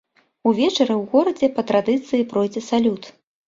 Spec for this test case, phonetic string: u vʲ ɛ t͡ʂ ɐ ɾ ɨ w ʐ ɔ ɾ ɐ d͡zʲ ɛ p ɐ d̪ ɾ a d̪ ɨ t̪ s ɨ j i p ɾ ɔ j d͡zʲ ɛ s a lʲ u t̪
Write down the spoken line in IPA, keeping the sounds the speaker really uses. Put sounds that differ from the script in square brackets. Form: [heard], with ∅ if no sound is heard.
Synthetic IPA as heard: u vʲ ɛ t͡ʂ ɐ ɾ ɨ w [ɣ] ɔ ɾ ɐ d͡zʲ ɛ p ɐ [t̪] ɾ a d̪ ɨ t̪ s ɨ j i p ɾ ɔ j d͡zʲ ɛ s a lʲ u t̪